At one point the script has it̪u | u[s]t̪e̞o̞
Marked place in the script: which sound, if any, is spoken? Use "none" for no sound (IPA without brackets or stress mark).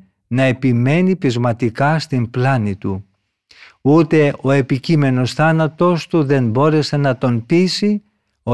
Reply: none